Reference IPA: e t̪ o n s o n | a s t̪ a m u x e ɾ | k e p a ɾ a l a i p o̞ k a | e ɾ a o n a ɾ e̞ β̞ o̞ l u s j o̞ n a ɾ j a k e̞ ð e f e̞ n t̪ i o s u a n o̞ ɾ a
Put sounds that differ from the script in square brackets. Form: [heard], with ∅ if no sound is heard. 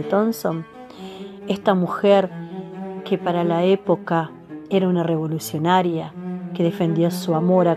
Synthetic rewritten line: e t̪ o n s o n | [e] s t̪ a m u x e ɾ | k e p a ɾ a l a [e] p o̞ k a | e ɾ a [u] n a [r] e̞ β̞ o̞ l u s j o̞ n a ɾ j a k e̞ ð e f e̞ n [d̪] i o s u a [m] o̞ ɾ a